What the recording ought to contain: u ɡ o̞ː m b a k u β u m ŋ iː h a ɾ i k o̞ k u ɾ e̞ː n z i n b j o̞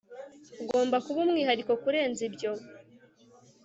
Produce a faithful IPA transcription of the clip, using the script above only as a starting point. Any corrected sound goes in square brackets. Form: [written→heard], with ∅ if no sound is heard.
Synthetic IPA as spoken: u ɡ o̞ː m b a k u β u m ŋ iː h a ɾ i k o̞ k u ɾ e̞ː n z i [n→∅] b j o̞